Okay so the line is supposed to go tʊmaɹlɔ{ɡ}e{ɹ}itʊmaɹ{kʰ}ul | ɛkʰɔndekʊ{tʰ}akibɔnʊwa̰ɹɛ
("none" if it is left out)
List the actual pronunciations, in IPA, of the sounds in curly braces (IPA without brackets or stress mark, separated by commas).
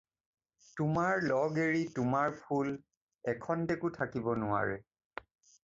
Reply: ɡ, ɹ, pʰ, tʰ